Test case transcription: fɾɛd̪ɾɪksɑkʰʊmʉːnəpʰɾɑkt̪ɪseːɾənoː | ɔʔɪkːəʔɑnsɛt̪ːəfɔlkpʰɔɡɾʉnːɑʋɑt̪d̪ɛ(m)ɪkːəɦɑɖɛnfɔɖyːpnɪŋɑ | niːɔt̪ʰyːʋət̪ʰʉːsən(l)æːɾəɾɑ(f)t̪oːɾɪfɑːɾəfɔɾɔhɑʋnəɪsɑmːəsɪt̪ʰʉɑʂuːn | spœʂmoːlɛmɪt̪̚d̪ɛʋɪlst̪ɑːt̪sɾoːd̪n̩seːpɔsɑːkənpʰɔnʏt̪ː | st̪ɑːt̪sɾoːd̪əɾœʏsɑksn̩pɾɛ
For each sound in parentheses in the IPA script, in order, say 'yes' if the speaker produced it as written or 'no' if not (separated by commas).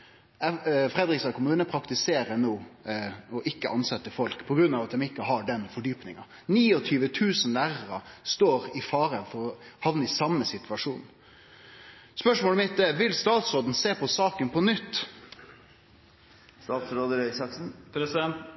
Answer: yes, yes, no